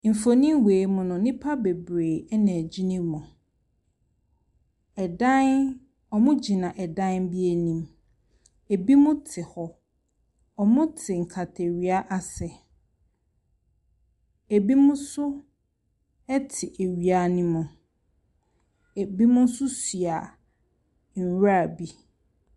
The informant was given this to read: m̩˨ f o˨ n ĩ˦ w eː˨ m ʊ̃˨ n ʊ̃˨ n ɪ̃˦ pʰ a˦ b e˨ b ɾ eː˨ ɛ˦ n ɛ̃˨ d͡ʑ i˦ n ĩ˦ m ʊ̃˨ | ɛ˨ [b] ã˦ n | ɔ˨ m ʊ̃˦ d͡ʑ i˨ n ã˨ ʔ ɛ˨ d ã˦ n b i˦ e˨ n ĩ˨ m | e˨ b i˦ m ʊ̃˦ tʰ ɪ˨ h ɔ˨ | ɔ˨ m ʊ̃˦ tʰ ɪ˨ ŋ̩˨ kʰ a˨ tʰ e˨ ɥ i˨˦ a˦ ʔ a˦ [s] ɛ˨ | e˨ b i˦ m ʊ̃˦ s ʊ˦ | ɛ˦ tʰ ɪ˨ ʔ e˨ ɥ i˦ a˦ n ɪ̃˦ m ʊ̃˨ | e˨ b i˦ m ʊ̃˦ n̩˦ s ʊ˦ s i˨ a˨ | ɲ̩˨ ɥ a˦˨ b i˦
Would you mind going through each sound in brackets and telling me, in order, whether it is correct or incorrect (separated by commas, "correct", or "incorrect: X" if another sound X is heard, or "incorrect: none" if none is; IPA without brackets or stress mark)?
incorrect: d, correct